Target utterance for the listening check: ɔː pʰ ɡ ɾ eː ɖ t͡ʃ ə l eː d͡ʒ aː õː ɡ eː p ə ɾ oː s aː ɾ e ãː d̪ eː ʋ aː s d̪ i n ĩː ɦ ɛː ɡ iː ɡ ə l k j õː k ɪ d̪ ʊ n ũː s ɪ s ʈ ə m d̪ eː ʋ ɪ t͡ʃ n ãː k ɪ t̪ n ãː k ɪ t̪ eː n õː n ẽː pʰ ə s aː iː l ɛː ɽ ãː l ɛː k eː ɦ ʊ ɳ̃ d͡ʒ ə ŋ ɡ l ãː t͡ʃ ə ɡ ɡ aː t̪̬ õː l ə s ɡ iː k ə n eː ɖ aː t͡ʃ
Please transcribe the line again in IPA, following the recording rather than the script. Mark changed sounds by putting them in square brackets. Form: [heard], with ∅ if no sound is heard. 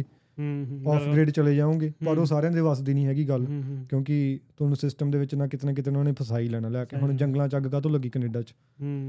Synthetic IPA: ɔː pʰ ɡ ɾ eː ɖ t͡ʃ ə l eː d͡ʒ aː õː ɡ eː p ə ɾ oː s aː ɾ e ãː d̪ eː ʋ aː s d̪ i n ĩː ɦ ɛː ɡ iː ɡ ə l k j õː k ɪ [t̪] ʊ n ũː s ɪ s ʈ ə m d̪ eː ʋ ɪ t͡ʃ n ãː k ɪ t̪ n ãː k ɪ t̪ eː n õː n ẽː pʰ ə s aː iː l ɛː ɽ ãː l ɛː k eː ɦ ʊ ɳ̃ d͡ʒ ə ŋ ɡ l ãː t͡ʃ ə ɡ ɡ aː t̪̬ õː l ə [∅] ɡ iː k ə n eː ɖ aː t͡ʃ